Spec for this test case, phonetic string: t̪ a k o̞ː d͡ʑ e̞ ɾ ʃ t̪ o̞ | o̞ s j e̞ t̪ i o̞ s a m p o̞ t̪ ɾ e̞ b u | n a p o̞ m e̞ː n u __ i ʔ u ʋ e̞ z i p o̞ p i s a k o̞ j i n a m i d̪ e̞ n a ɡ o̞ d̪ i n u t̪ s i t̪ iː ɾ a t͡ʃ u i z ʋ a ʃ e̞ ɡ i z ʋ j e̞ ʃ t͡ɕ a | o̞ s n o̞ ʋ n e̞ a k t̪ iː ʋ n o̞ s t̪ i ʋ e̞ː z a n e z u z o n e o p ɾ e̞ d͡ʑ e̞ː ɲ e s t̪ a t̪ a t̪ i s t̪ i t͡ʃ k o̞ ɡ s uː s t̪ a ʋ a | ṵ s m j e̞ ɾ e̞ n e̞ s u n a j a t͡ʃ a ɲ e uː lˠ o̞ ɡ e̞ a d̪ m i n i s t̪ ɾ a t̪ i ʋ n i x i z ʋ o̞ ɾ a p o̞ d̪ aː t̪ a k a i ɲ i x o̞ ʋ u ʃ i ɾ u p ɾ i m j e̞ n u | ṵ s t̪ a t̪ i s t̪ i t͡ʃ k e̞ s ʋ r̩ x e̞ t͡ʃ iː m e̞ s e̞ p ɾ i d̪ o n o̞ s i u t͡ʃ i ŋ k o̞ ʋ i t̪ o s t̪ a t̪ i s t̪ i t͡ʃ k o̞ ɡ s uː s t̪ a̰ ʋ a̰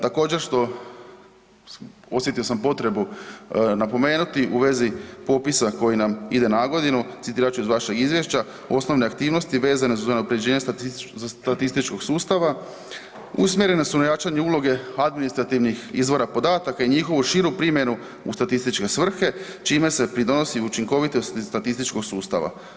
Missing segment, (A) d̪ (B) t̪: B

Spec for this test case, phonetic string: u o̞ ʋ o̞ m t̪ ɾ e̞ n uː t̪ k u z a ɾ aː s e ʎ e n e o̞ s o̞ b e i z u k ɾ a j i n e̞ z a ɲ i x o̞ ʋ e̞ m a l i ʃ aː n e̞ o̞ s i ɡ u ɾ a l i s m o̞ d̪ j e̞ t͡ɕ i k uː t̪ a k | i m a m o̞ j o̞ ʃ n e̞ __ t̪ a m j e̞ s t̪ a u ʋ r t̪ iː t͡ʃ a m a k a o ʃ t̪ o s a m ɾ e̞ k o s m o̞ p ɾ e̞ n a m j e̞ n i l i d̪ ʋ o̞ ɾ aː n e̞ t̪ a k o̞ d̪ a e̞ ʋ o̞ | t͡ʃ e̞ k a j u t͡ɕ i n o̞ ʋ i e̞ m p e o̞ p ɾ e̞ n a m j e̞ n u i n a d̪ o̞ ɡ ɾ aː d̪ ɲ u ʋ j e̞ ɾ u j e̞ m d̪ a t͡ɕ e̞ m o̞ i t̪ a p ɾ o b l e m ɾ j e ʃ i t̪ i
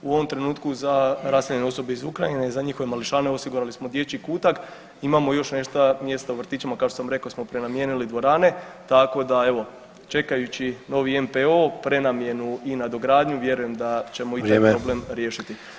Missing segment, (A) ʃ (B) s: A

